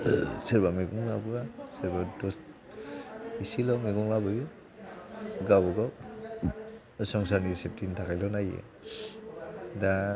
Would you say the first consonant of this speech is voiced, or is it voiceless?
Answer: voiceless